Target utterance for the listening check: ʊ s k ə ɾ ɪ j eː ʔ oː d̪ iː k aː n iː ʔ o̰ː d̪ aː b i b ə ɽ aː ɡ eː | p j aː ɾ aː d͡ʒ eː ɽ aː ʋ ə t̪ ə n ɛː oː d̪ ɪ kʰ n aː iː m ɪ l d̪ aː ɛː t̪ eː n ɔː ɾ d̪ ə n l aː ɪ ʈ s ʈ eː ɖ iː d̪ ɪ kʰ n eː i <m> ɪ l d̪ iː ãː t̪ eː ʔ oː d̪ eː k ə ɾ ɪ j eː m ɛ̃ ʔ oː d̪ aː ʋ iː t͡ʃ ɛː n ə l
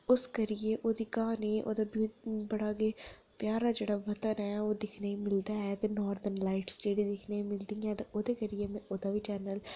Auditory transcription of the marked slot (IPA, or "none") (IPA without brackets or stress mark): m